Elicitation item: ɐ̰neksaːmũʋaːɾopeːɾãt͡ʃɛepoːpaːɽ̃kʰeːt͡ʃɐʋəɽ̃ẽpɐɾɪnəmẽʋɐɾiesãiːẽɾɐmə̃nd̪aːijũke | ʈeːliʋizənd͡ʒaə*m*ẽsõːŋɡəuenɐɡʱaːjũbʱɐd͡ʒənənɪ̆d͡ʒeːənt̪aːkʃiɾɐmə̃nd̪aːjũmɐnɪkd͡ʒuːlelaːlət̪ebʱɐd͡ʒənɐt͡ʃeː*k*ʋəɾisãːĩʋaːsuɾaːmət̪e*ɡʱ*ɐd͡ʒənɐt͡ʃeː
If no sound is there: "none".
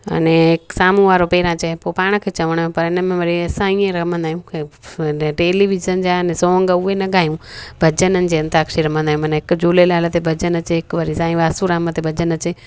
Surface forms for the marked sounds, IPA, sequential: n, k, bʱ

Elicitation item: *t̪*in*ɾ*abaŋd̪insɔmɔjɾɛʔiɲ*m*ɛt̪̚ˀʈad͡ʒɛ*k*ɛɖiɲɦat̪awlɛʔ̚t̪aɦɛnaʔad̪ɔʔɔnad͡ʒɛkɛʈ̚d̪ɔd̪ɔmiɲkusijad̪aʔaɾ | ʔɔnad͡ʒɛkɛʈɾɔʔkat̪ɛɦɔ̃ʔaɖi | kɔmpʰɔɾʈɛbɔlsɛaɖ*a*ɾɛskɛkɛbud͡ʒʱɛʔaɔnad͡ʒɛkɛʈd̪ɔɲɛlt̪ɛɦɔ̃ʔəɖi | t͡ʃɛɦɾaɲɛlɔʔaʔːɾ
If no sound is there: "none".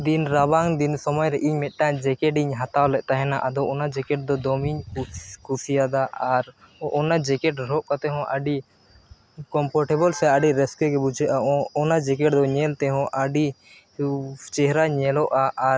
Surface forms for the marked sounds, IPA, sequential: d̪, ɾ, m, k, i

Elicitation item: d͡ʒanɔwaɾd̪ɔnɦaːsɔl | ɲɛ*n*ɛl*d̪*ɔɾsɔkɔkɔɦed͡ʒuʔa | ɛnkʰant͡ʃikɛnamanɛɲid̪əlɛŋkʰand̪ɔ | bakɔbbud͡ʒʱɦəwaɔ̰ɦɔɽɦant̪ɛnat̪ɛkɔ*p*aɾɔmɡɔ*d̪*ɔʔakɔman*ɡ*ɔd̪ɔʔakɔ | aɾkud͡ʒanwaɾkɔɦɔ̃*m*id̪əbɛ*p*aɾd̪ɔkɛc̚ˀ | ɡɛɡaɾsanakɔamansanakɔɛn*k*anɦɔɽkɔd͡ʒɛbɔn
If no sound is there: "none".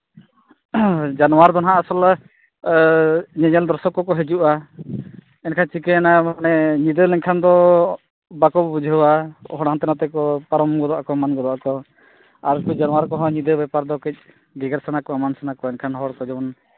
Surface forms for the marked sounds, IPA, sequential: ɲ, d̪, p, d̪, ɡ, ɲ, p, kʰ

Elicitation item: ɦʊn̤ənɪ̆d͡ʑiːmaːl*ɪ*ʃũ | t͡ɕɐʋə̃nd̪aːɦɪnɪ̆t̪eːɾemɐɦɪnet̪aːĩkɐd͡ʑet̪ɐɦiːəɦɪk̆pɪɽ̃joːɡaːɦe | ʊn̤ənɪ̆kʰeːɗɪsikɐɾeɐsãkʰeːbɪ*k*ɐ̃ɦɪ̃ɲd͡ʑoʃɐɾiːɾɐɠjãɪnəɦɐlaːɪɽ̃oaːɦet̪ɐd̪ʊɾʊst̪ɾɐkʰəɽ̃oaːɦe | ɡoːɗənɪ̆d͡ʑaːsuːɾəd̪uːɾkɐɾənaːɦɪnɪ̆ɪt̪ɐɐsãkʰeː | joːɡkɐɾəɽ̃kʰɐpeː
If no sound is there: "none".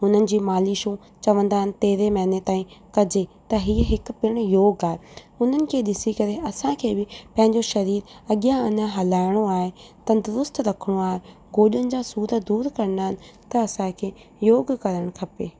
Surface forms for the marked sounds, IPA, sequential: i, p

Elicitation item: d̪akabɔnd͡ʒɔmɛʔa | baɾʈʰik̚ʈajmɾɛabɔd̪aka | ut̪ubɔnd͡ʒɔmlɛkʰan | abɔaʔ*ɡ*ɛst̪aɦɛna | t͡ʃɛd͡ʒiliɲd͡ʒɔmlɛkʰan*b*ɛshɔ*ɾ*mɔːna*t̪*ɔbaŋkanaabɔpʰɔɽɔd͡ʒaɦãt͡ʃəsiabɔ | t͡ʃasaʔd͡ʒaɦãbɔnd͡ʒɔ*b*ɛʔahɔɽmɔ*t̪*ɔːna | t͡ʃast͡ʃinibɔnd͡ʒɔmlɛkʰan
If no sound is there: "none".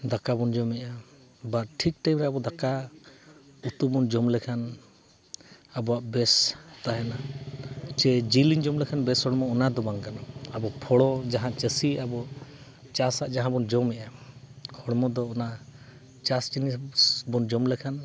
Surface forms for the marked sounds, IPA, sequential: b, b, ɽ, d̪, m, d̪

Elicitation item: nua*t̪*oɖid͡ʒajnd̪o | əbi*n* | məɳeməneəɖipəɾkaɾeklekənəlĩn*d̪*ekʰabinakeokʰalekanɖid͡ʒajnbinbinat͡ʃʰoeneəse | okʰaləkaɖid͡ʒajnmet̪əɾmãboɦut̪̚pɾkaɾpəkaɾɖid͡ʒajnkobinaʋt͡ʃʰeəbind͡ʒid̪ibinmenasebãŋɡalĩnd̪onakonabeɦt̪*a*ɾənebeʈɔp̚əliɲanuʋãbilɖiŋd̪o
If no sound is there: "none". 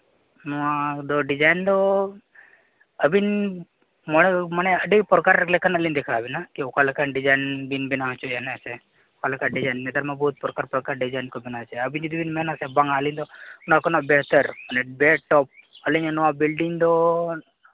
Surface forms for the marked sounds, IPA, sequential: d̪, n, d̪, ə

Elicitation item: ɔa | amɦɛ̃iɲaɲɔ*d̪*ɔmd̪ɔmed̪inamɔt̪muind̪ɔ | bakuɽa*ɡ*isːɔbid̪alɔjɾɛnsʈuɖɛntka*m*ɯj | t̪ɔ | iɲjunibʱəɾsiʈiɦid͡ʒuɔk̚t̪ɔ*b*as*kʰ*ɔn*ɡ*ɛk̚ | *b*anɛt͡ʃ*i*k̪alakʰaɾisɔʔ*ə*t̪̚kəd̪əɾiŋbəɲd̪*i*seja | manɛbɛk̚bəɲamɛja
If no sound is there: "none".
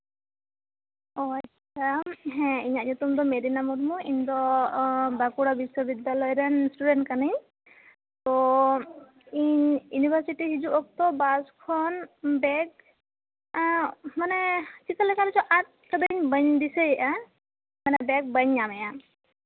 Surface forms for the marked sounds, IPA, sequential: t̪, b, n, b, kʰ, b, m, i, a, i

